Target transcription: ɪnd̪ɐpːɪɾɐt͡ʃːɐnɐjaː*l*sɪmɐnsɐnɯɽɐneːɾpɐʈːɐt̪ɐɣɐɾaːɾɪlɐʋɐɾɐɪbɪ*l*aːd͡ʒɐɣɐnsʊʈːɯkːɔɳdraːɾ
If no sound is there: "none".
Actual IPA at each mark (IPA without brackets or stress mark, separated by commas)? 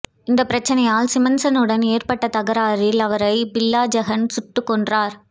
l, lː